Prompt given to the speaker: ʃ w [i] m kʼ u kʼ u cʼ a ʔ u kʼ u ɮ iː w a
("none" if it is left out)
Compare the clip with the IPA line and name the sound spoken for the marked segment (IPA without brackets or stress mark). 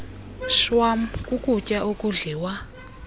a